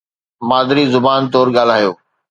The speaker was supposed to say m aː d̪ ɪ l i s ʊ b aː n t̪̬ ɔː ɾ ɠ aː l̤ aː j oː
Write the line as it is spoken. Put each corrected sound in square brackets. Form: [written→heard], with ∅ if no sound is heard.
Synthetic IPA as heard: m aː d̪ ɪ [l→ɾ] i [s→z] ʊ b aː n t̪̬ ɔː ɾ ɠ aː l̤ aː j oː